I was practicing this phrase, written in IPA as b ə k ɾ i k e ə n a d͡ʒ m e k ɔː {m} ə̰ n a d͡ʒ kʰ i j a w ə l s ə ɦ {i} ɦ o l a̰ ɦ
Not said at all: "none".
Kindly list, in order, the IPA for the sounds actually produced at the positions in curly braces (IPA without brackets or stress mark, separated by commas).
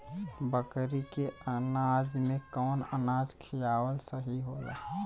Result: n, i